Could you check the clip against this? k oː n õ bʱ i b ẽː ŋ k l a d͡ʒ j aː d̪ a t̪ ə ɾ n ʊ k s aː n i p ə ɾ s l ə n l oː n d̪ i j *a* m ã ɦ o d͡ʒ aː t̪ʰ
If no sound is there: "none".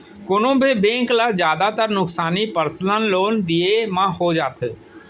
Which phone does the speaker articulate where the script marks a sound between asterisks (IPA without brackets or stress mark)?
e